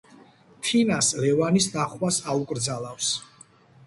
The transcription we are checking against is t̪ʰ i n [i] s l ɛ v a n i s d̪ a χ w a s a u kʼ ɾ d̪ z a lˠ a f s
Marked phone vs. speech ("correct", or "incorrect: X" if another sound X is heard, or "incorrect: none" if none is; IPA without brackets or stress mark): incorrect: a